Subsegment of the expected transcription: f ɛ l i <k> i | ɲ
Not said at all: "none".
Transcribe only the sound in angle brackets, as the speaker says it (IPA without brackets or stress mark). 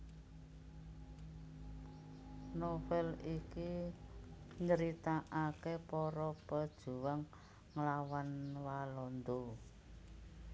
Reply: k